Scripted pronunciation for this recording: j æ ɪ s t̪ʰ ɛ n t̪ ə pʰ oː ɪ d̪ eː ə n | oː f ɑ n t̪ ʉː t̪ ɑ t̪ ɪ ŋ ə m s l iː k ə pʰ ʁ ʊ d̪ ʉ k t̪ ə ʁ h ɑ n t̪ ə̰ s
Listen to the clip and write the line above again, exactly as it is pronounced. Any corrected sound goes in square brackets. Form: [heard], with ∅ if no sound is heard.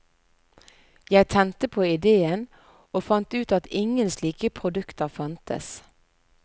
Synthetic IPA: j æ ɪ [∅] t̪ʰ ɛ n t̪ ə pʰ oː ɪ d̪ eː ə n | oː f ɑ n t̪ ʉː t̪ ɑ t̪ ɪ ŋ ə [n] s l iː k ə pʰ ʁ ʊ d̪ ʉ k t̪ ə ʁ [f] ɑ n t̪ ə̰ s